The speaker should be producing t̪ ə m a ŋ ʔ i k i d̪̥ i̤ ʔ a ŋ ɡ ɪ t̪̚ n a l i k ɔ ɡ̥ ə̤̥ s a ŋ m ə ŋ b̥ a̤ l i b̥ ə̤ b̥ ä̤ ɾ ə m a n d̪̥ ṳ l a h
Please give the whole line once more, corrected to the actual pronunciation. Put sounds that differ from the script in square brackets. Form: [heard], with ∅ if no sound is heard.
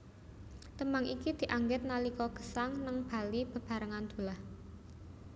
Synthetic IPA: t̪ ə m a ŋ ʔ i k i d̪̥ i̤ ʔ a ŋ ɡ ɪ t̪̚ n a l i k ɔ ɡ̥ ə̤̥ s a ŋ [n] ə ŋ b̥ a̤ l i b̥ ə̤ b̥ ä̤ ɾ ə [ŋ] a n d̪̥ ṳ l a h